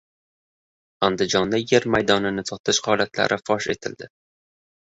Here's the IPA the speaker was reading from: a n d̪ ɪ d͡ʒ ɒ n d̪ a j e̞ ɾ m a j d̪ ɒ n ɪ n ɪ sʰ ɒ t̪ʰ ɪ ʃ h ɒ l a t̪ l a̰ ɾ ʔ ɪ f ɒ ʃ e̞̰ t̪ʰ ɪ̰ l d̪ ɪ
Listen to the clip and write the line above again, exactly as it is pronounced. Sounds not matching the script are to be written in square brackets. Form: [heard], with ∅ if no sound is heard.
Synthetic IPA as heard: a n d̪ ɪ d͡ʒ ɒ n d̪ a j e̞ ɾ m a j d̪ ɒ n ɪ n ɪ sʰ ɒ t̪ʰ ɪ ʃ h ɒ l a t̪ l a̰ ɾ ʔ ɪ f ɒ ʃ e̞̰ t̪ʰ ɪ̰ l d̪ ɪ